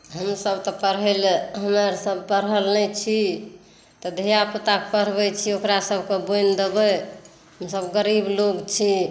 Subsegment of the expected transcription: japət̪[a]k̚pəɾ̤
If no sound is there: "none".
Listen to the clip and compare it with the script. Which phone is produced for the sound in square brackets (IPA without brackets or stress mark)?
a